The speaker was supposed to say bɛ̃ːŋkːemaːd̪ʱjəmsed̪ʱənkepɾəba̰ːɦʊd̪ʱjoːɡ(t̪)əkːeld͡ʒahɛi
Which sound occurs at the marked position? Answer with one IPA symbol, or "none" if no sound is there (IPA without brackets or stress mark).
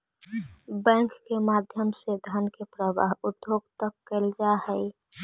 t̪